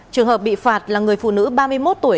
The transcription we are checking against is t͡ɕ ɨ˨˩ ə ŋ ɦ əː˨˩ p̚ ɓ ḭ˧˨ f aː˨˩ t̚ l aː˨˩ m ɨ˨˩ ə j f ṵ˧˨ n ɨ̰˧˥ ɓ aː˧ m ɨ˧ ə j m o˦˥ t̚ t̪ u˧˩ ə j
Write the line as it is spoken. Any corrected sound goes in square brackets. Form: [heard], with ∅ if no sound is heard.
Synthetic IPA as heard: t͡ɕ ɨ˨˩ ə ŋ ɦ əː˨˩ p̚ ɓ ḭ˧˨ f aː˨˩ t̚ l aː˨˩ [ŋ] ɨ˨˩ ə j f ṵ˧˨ n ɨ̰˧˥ ɓ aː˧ m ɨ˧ ə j m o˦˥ t̚ t̪ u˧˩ ə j